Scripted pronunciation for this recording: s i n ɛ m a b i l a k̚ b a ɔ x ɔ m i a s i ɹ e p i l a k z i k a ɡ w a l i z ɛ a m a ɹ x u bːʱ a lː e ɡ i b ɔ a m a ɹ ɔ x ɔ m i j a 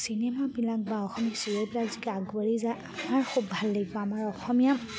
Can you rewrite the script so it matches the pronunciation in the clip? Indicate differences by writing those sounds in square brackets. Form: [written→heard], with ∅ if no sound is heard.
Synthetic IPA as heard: s i n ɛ m a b i l a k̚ b a ɔ x ɔ m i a s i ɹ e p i l a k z i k a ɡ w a [l→ɹ] i z [ɛ→a] a m a ɹ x u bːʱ a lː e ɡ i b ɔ a m a ɹ ɔ x ɔ m i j a